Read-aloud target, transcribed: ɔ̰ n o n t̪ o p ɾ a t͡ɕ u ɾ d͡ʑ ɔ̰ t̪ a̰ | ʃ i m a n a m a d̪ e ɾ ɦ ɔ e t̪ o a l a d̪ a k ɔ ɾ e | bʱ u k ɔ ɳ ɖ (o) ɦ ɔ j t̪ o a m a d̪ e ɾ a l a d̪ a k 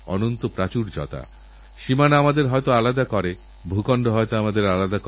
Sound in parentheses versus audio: correct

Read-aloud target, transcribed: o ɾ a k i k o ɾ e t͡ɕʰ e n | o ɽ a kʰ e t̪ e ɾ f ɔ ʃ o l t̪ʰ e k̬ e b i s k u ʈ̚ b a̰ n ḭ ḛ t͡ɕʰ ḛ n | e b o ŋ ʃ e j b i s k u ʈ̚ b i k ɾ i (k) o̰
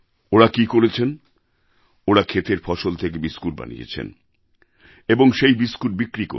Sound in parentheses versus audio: correct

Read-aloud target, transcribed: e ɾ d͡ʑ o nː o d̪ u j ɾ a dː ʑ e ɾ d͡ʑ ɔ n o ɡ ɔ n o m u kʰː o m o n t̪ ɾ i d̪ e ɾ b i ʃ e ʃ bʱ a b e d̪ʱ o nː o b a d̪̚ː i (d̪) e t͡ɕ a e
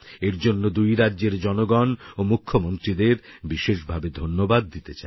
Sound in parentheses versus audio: incorrect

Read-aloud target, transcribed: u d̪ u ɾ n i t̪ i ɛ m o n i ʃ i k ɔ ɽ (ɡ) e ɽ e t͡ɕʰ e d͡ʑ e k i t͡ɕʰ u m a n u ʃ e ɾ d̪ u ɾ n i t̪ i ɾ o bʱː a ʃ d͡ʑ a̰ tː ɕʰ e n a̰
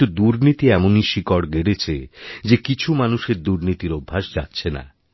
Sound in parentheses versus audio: correct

